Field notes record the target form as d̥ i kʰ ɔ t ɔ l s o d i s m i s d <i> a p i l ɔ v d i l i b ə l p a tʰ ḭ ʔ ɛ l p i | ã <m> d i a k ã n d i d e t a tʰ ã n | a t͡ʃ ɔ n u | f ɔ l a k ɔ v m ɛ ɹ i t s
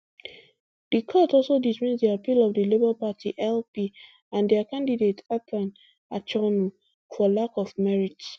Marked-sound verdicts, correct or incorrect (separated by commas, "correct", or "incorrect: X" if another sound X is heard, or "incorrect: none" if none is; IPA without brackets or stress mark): correct, incorrect: n